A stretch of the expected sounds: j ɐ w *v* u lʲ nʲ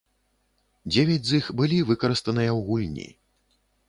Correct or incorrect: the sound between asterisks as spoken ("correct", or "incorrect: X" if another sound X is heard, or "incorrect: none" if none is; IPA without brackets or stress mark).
incorrect: ɣ